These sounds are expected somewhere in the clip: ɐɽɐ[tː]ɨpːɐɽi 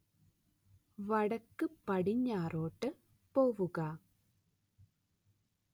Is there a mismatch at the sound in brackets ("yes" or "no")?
yes